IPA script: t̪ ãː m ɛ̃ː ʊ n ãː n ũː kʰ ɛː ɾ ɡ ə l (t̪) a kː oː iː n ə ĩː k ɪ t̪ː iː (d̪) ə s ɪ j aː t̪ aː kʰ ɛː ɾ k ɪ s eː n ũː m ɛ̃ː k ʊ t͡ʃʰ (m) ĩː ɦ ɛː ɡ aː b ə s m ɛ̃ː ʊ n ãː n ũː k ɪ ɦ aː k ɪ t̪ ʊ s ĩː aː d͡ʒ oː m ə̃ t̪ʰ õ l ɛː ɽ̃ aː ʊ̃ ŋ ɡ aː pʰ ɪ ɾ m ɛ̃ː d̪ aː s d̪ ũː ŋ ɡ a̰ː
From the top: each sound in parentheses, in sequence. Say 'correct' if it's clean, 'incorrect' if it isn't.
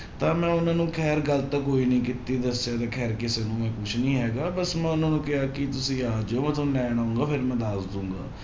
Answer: correct, correct, incorrect

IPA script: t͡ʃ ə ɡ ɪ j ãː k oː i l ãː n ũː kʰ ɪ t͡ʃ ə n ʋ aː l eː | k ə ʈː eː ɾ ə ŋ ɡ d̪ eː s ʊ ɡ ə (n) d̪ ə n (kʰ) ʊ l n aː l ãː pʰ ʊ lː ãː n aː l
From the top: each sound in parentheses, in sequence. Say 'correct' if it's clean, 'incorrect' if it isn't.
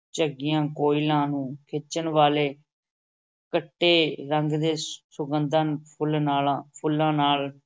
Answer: correct, incorrect

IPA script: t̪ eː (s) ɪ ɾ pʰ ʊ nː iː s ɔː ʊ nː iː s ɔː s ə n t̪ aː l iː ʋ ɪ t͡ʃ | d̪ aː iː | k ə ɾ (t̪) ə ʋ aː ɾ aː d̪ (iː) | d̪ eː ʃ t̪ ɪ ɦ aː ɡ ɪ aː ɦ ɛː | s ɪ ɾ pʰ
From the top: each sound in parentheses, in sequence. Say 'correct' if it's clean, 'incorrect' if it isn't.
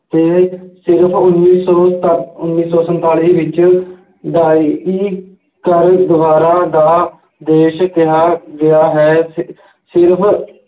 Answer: correct, incorrect, incorrect

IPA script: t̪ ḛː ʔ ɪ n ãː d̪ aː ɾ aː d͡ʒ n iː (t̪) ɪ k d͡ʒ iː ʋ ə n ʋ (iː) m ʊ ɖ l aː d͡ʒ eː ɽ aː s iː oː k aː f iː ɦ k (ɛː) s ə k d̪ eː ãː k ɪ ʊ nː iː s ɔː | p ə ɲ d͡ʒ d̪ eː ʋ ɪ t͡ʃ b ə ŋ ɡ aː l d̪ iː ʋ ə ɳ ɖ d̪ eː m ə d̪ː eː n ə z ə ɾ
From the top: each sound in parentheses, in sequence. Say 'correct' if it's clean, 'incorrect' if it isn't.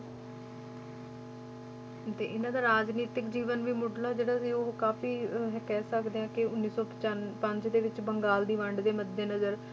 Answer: correct, correct, correct

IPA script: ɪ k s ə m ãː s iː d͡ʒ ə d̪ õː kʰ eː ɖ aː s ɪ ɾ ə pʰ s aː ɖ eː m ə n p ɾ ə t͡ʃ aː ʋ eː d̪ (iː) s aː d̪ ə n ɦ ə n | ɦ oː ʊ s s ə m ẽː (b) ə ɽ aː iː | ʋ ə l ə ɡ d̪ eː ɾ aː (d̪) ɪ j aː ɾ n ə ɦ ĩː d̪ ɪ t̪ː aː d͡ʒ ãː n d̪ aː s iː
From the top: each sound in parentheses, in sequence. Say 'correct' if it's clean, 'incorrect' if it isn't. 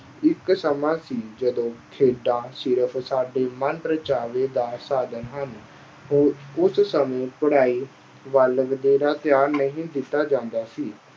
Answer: incorrect, incorrect, incorrect

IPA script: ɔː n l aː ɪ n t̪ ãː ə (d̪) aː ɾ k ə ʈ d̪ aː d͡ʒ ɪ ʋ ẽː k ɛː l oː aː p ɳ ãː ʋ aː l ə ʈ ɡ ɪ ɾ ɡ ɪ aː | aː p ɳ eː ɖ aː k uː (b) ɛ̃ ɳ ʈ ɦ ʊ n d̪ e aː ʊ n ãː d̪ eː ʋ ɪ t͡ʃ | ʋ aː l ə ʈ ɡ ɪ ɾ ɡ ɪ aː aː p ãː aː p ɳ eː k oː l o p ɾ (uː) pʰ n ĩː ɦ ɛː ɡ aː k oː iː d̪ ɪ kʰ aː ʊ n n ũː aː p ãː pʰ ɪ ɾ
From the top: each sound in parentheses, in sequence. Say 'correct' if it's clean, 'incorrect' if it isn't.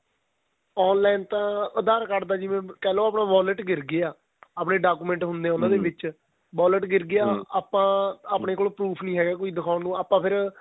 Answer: correct, incorrect, correct

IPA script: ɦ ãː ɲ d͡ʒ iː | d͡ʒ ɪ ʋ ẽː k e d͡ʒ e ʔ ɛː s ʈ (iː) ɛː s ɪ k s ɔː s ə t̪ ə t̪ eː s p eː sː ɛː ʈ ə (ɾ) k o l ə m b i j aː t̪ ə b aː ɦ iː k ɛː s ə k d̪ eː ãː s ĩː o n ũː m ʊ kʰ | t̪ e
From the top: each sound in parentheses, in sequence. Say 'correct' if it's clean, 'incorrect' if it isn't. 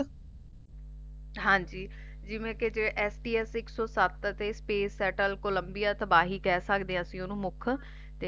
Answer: correct, incorrect

